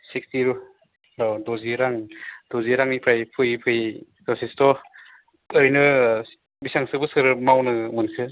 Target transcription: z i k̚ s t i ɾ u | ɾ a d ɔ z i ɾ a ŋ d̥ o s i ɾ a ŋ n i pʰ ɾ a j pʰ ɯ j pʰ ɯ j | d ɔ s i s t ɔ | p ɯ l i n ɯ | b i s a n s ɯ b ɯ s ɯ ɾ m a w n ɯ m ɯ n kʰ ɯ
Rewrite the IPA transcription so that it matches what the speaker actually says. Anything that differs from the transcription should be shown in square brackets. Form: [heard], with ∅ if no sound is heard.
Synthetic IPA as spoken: [s] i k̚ s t i ɾ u | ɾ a d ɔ z i ɾ a ŋ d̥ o [z] i ɾ a ŋ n i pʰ ɾ a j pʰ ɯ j pʰ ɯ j | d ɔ s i s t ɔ | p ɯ [ɾ] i n ɯ | b i s a [ŋ] s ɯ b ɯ s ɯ ɾ m a w n ɯ m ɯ n kʰ ɯ